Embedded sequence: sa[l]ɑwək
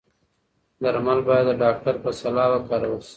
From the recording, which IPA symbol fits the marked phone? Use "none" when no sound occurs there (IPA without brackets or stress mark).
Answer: l